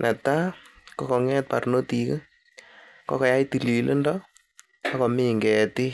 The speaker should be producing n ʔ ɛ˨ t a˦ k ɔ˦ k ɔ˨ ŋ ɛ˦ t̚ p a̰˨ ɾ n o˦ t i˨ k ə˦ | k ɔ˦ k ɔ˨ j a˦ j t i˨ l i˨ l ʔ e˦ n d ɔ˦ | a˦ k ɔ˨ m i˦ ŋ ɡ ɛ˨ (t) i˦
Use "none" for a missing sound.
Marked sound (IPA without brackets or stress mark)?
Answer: t